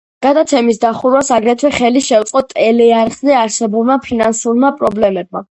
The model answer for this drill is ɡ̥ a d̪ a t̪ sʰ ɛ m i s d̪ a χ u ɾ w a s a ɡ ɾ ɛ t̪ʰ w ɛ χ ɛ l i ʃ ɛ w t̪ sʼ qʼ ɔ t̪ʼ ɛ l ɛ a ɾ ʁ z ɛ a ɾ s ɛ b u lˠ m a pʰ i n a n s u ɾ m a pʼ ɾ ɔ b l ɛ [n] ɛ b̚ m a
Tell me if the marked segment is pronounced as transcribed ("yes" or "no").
no